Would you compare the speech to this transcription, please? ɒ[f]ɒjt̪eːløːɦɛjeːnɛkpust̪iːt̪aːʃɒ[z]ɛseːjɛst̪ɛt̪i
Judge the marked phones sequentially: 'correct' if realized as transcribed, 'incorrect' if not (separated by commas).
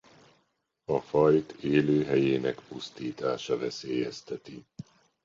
correct, incorrect